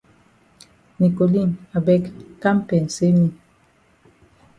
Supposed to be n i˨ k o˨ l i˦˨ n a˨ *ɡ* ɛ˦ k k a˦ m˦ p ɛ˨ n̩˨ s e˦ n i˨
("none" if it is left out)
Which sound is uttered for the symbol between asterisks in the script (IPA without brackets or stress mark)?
b